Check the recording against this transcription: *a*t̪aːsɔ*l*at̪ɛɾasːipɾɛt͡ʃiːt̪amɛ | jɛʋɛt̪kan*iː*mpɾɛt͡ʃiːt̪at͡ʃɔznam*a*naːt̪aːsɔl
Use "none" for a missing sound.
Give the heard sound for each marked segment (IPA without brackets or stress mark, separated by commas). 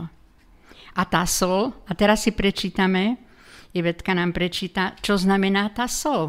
a, l, aː, ɛ